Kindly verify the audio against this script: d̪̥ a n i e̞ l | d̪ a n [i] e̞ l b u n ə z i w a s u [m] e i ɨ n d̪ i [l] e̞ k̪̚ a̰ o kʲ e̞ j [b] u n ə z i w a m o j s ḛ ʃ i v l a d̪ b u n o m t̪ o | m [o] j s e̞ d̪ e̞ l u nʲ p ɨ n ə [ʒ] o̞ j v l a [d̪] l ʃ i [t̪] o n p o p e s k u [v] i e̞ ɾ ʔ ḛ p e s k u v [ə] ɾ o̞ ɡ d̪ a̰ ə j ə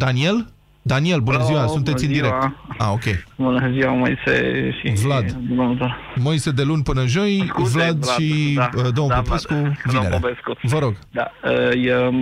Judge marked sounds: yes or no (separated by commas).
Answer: yes, no, no, yes, yes, yes, yes, no, yes, yes